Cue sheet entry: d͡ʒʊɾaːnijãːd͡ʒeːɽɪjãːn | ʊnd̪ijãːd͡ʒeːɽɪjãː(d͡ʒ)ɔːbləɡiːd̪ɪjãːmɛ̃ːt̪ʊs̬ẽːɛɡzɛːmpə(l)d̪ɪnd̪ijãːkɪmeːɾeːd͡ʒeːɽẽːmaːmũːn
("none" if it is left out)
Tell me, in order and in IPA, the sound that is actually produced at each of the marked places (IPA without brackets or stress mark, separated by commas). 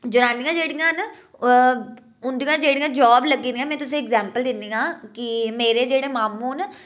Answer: d͡ʒ, l